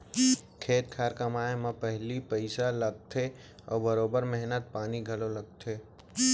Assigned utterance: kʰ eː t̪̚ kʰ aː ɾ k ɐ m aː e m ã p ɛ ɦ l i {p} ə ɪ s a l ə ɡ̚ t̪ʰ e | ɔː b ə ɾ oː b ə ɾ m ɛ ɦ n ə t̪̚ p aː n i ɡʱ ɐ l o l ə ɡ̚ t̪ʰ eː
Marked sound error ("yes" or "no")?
no